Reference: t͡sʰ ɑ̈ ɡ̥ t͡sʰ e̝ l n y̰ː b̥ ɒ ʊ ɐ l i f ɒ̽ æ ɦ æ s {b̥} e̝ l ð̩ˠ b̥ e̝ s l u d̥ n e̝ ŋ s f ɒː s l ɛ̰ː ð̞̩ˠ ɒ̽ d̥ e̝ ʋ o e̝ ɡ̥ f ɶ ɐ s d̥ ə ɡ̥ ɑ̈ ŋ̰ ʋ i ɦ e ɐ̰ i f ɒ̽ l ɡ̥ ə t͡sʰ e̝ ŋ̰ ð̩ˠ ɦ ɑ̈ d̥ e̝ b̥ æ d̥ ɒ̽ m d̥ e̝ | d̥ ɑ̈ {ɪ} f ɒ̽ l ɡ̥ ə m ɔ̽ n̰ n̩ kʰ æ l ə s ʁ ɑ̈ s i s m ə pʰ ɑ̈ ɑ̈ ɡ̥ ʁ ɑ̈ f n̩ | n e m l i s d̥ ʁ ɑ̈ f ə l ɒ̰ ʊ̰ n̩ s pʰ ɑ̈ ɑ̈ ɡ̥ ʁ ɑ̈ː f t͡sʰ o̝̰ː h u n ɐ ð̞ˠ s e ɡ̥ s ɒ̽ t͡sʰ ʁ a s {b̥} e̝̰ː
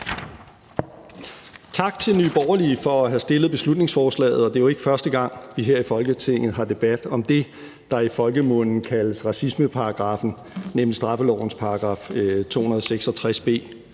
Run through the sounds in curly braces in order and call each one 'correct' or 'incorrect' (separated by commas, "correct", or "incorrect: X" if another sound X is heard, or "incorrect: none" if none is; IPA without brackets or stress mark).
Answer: incorrect: d̥, incorrect: i, correct